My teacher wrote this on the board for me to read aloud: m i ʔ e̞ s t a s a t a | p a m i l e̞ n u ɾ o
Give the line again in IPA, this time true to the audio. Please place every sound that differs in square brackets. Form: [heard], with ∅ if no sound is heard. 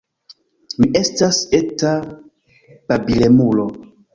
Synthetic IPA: m i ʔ e̞ s t a s [e] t a | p a [b] i l e̞ [m] u [l] o